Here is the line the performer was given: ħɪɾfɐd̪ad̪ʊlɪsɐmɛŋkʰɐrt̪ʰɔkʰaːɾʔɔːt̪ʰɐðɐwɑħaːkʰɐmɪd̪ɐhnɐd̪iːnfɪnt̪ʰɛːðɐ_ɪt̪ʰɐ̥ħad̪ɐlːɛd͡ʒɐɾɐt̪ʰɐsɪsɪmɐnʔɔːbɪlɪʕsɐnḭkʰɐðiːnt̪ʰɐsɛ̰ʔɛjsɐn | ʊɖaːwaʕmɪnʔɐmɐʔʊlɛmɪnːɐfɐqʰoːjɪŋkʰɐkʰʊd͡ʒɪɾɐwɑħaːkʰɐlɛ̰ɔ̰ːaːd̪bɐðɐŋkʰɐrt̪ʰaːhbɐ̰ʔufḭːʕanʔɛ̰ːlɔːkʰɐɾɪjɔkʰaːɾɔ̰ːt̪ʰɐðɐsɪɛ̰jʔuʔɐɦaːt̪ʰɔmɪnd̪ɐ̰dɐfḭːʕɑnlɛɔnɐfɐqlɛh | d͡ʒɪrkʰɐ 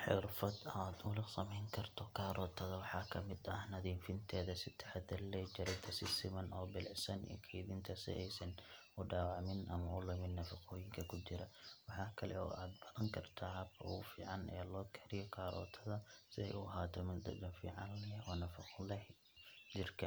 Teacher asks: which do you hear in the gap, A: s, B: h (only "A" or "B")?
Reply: A